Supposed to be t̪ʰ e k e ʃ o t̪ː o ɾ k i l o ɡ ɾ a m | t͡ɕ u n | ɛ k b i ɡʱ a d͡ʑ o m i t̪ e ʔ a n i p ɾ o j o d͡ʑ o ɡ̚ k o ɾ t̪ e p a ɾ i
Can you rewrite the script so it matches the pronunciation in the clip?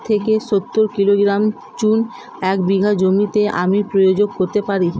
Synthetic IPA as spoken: t̪ʰ e k e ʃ o t̪ː o ɾ k i l o ɡ ɾ a m | t͡ɕ u n | ɛ k b i ɡʱ a d͡ʑ o m i t̪ e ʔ a m i p ɾ o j o d͡ʑ o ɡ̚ k o ɾ t̪ e p a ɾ i